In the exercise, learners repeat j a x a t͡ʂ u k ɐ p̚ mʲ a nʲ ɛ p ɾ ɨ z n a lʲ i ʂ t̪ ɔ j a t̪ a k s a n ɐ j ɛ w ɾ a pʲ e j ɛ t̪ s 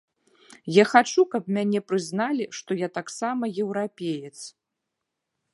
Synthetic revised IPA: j a x a t͡ʂ u k ɐ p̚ mʲ a nʲ ɛ p ɾ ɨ z n a lʲ i ʂ t̪ ɔ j a t̪ a k s a m ɐ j ɛ w ɾ a pʲ e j ɛ t̪ s